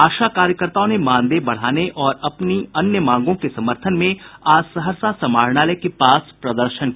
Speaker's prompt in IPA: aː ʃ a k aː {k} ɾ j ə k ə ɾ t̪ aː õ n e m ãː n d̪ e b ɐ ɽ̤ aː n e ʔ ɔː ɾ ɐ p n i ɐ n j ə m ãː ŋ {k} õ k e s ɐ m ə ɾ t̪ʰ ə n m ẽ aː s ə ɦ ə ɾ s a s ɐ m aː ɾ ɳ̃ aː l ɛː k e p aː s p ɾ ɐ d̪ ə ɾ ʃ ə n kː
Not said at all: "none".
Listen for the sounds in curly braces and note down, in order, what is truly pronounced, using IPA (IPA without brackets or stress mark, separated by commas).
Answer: none, ɡ